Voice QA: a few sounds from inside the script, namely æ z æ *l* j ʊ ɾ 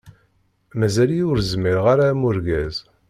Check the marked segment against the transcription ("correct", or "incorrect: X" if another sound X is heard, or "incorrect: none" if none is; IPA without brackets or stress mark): correct